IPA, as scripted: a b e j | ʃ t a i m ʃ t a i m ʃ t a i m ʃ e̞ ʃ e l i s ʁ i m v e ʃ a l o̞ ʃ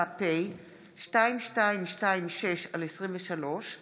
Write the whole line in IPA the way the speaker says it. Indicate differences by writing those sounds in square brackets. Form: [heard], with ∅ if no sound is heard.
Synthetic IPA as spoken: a [p] e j | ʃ t a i m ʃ t a i m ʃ t a i m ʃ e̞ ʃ [a] l [e] s ʁ i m v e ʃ a l o̞ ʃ